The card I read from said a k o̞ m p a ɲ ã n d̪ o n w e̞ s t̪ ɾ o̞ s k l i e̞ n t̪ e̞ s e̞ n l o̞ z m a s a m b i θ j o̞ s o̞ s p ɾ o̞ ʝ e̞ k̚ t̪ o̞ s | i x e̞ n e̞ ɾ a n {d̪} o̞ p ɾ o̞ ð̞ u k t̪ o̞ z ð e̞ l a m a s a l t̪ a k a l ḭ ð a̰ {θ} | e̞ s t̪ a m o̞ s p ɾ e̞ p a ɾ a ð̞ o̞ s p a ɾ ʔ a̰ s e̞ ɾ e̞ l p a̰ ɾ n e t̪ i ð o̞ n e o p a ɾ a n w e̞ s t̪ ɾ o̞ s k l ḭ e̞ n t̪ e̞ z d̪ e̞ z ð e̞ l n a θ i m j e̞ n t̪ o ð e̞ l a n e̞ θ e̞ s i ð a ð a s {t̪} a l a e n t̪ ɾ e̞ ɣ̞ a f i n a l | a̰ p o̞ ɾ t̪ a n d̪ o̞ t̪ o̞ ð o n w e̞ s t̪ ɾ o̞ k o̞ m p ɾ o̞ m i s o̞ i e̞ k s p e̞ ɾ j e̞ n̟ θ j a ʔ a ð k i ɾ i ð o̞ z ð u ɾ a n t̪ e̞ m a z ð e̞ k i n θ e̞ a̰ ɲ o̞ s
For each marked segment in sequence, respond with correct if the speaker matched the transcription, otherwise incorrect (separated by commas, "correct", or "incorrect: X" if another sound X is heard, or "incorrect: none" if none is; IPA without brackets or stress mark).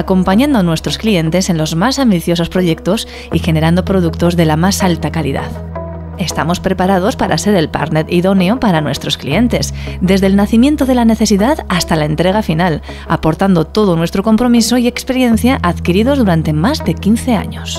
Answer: correct, incorrect: ð, correct